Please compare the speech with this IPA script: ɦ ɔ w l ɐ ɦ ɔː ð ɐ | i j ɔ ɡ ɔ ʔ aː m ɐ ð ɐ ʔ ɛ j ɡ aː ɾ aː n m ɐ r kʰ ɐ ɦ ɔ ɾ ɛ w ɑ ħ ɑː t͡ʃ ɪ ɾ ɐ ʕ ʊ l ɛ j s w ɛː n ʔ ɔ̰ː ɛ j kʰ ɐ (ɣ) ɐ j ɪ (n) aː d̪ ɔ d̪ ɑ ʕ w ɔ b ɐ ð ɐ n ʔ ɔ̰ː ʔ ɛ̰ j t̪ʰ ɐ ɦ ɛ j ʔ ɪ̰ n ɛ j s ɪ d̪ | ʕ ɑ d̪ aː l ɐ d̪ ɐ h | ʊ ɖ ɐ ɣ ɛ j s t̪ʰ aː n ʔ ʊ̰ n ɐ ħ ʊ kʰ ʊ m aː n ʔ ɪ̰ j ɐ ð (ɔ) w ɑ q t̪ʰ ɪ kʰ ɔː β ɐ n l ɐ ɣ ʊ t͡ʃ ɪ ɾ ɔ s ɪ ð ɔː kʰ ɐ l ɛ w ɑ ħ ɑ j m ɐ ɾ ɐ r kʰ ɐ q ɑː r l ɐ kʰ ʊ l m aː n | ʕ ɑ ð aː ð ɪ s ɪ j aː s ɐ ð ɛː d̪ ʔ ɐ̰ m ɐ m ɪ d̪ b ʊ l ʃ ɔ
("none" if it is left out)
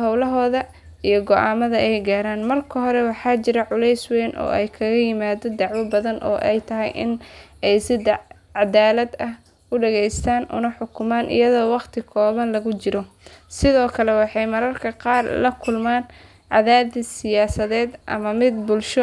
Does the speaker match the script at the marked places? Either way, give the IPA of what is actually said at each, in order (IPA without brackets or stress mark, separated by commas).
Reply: ɣ, m, ɔː